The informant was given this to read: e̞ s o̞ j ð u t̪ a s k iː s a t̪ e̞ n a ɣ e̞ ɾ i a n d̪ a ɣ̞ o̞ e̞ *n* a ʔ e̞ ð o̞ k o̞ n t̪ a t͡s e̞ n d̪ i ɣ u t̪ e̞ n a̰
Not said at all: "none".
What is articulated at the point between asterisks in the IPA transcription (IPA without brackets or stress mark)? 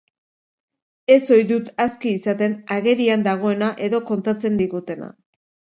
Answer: n